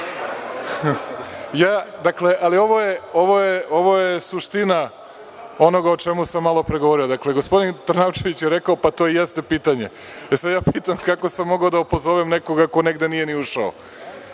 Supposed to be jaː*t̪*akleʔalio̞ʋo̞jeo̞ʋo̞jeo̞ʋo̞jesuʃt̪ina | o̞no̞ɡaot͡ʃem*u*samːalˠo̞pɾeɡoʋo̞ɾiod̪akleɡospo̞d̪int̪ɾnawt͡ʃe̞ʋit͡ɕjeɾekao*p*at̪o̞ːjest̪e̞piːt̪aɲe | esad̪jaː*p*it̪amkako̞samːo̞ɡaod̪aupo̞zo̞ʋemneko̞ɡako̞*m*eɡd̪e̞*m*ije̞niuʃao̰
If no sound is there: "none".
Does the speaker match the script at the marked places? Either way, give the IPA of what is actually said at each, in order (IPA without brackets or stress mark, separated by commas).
d̪, u, p, p, n, n